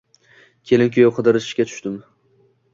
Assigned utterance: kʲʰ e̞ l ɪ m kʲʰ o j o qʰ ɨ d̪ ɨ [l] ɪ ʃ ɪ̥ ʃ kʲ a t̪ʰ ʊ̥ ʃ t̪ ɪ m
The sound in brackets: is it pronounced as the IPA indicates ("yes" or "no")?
no